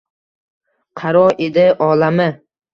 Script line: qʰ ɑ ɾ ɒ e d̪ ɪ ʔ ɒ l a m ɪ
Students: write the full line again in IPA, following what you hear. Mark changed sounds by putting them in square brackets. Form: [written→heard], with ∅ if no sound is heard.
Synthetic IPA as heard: qʰ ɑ ɾ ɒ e d̪ ɪ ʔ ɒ l a m ɪ